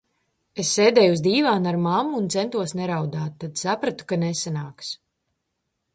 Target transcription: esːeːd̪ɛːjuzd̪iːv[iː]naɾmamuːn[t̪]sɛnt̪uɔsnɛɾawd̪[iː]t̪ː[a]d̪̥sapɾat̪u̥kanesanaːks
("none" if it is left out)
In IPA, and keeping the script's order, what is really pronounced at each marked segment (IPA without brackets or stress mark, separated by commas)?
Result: aː, t̪, aː, a